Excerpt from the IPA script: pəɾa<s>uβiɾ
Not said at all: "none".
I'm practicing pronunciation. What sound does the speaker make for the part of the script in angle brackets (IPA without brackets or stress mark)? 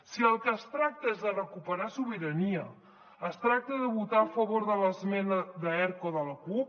s